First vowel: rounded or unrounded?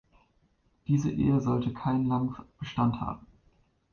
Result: unrounded